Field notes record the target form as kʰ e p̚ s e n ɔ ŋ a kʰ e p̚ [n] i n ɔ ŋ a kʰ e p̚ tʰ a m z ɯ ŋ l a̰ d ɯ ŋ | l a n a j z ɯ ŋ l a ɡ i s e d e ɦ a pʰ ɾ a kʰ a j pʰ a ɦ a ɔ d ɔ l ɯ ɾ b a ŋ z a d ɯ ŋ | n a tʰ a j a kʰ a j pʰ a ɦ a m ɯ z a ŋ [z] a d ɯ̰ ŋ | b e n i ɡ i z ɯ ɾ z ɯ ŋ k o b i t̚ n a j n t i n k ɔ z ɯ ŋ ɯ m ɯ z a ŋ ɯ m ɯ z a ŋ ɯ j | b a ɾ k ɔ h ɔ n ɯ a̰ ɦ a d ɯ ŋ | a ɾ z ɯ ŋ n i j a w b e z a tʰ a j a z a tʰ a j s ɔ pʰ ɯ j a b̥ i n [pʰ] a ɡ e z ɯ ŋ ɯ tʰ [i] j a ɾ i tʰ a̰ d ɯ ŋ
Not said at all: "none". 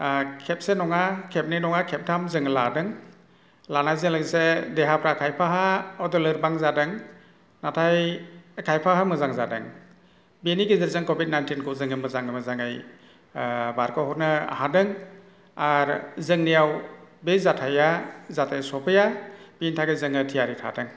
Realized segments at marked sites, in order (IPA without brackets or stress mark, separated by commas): n, z, tʰ, i